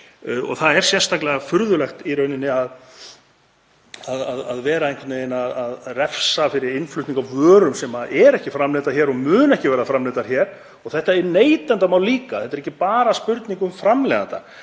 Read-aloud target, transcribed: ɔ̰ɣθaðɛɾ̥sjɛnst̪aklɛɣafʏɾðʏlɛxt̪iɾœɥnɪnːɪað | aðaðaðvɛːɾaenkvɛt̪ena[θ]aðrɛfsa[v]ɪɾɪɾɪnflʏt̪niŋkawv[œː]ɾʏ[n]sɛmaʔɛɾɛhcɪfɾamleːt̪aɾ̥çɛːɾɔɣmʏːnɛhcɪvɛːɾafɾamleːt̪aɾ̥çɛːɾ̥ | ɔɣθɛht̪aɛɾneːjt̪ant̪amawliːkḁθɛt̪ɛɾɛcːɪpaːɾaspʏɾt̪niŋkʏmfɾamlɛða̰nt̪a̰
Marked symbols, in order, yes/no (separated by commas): no, no, yes, no